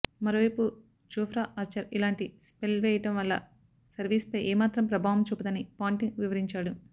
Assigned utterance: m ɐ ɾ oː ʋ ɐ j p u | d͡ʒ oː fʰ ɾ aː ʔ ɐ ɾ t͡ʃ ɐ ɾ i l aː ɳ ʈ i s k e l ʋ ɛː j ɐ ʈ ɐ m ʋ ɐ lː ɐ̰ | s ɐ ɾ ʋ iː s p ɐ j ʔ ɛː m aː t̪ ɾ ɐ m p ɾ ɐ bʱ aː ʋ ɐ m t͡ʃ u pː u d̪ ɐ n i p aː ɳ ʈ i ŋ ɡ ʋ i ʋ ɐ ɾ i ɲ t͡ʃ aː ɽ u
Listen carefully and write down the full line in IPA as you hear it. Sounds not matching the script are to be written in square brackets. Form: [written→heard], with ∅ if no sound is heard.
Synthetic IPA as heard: m ɐ ɾ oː ʋ ɐ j p u | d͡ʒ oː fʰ ɾ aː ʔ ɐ ɾ t͡ʃ ɐ ɾ i l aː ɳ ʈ i s [k→p] e l ʋ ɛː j ɐ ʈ ɐ m ʋ ɐ lː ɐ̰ | s ɐ ɾ ʋ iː s p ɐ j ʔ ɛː m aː t̪ ɾ ɐ m p ɾ ɐ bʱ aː ʋ ɐ m t͡ʃ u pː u d̪ ɐ n i p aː ɳ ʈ i ŋ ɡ ʋ i ʋ ɐ ɾ i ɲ t͡ʃ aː ɽ u